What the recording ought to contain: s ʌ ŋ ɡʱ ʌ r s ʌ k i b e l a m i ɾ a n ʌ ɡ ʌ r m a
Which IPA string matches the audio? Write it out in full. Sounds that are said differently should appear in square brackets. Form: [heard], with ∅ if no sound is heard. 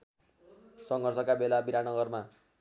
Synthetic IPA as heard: s ʌ ŋ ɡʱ ʌ r s ʌ k [a] b e l a [b] i ɾ a n ʌ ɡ ʌ r m a